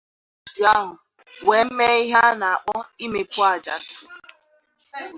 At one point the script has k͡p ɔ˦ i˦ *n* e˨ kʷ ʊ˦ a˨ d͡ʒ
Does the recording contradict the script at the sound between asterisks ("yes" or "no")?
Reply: yes